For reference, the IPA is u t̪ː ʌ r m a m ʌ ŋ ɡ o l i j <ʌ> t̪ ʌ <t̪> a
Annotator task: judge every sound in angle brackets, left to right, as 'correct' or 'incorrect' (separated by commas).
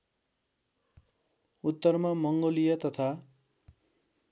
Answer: correct, incorrect